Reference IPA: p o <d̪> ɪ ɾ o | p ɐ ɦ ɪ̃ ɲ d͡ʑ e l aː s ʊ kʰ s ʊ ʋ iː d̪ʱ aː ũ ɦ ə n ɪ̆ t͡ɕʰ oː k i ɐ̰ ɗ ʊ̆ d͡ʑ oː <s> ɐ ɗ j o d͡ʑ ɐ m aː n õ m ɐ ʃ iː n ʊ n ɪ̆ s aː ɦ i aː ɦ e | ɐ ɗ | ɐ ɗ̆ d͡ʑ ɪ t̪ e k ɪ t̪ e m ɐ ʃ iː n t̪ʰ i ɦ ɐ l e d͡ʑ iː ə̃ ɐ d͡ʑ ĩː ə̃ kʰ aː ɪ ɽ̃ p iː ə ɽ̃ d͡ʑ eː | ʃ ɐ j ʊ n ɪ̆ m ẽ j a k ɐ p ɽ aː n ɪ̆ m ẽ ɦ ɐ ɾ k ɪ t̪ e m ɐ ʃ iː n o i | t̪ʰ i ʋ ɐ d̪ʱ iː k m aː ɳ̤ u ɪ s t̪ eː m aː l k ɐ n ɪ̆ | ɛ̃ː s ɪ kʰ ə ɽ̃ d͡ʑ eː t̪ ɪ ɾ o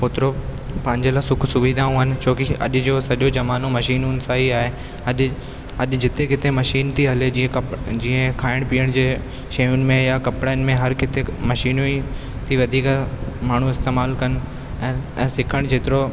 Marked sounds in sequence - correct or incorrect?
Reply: incorrect: t̪, correct

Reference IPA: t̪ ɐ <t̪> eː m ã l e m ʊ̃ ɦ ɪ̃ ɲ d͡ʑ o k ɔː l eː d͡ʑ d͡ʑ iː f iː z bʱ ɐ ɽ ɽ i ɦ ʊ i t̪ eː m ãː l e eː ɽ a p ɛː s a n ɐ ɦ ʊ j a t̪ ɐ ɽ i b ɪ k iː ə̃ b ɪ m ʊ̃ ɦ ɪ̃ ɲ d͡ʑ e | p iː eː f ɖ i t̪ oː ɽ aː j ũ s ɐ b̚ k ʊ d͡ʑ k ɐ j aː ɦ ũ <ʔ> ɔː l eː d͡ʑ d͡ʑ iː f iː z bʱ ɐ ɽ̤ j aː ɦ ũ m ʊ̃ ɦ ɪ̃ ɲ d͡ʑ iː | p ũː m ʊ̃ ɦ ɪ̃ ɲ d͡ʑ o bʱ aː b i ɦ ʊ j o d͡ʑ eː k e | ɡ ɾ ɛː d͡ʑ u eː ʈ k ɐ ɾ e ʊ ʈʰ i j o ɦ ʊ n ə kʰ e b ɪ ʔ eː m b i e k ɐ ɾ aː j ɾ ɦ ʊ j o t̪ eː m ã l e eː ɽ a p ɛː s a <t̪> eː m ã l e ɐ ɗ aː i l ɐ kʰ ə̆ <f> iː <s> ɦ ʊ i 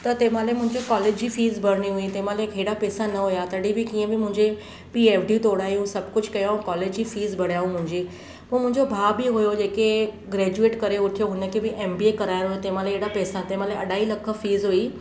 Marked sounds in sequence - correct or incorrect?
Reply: correct, incorrect: k, correct, correct, incorrect: z

